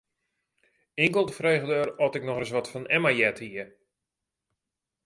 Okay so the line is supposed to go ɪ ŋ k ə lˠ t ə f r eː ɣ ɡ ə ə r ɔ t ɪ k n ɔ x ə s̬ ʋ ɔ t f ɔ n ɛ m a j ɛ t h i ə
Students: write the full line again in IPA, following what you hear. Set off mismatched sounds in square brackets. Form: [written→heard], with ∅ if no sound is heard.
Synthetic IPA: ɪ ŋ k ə lˠ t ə f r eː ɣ [ɡ→d] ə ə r ɔ t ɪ k n ɔ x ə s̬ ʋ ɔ t f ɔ n ɛ m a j ɛ t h i ə